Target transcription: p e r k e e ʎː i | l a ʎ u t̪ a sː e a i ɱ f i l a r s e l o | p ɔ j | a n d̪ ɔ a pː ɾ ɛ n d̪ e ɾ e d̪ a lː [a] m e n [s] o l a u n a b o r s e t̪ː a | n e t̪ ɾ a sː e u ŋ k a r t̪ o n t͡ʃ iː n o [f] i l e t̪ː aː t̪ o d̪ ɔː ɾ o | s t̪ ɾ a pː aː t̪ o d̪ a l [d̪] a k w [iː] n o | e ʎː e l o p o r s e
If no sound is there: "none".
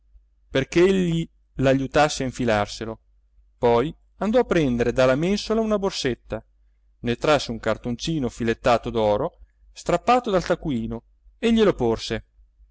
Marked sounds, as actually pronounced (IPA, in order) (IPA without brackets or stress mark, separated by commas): a, s, f, t̪, iː